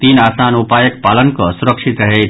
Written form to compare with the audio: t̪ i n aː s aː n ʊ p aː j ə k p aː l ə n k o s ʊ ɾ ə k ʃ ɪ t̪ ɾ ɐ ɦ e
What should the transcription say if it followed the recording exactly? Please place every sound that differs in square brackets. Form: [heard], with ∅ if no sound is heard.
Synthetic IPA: t̪ [iː] n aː s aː n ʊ p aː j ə k p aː l ə n k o s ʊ ɾ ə k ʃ ɪ t̪ ɾ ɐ ɦ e